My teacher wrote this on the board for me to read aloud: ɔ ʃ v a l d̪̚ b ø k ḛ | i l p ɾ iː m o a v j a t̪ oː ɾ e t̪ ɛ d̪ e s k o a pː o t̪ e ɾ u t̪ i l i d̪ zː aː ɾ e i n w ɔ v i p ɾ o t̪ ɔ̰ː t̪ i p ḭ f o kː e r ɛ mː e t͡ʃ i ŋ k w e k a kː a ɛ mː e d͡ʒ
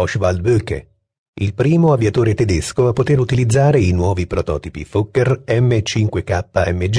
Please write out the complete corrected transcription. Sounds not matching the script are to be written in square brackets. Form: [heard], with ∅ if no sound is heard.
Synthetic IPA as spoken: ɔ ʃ v a l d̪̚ b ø k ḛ | i l p ɾ iː m o a v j a t̪ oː ɾ e t̪ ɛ d̪ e s k o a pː o t̪ e ɾ u t̪ i l i d̪ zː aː ɾ e i n w [ɔː] v i p ɾ o t̪ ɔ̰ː t̪ i p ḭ f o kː e r ɛ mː e t͡ʃ i ŋ k w e k a [pː] a ɛ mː e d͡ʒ